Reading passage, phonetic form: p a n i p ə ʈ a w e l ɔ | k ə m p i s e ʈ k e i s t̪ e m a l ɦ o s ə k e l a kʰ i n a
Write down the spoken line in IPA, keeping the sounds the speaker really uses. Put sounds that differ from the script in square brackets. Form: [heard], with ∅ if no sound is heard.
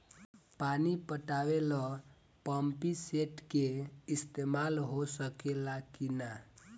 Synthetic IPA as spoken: p a n i p ə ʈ a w e l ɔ | [p] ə m p i s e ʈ k e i s t̪ e m a l ɦ o s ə k e l a [k] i n a